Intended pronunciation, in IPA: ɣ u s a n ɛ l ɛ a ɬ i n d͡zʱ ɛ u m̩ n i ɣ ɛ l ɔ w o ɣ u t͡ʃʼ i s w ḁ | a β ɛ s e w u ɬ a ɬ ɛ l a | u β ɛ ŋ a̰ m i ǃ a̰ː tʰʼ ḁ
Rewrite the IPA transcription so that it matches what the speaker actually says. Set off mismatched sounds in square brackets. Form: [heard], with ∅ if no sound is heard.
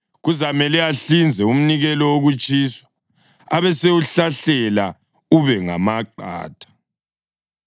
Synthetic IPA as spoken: ɣ u [z] a [m] ɛ l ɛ a ɬ i n d͡zʱ ɛ u m̩ n i ɣ ɛ l ɔ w o ɣ u t͡ʃʼ i s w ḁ | a β ɛ s e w u ɬ a ɬ ɛ l a | u β ɛ ŋ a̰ m [a] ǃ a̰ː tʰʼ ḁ